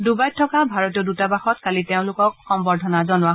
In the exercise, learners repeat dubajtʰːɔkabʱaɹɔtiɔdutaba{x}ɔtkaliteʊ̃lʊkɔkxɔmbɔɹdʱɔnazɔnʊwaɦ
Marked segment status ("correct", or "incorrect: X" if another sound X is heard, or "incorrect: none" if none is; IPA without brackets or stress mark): correct